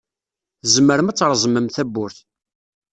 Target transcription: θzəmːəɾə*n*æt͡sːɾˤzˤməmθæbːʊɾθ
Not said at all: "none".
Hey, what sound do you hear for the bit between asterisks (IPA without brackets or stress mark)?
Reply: m